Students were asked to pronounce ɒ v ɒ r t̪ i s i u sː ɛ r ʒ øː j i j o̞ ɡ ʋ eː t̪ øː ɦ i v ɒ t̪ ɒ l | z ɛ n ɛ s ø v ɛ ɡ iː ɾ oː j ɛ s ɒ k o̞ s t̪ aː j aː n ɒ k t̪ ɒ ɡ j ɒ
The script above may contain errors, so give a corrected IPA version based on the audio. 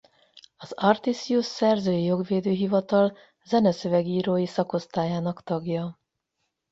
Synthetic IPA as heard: ɒ z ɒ r t̪ i s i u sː ɛ r z øː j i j o̞ ɡ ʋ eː d̪ øː ɦ i v ɒ t̪ ɒ l | z ɛ n ɛ s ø v ɛ ɡ iː ɾ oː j i s ɒ k o̞ s t̪ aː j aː n ɒ k t̪ ɒ ɡ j ɒ